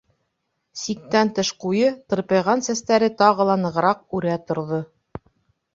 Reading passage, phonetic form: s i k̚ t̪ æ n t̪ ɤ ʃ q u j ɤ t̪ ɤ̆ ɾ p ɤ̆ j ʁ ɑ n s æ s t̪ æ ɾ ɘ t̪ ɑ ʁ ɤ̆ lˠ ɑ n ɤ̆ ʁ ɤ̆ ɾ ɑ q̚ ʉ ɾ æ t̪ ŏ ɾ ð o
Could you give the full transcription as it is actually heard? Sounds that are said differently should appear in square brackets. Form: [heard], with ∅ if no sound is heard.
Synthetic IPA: s i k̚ t̪ æ n t̪ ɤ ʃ q u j ɤ t̪ ɤ̆ ɾ p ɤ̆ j ʁ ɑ n s æ s t̪ æ ɾ ɘ t̪ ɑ ʁ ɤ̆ lˠ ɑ n ɤ̆ ʁ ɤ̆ ɾ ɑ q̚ ʉ ɾ æ t̪ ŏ ɾ ð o